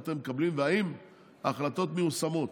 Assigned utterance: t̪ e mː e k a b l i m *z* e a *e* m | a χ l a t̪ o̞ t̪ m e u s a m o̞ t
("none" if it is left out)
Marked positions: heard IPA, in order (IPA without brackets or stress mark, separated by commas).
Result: v, i